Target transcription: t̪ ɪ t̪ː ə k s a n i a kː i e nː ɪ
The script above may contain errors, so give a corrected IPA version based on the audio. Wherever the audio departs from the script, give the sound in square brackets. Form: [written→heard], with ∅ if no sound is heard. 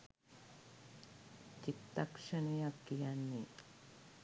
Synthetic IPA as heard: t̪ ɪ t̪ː [ə→a] k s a n i a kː i [e→a] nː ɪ